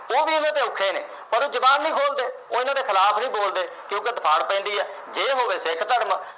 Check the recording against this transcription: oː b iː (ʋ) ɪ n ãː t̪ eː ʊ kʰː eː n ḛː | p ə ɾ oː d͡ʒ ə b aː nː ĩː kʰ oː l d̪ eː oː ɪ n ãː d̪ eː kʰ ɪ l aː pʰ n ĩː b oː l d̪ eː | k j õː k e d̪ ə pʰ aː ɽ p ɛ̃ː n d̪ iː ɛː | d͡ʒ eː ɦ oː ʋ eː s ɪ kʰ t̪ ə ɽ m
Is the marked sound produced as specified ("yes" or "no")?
no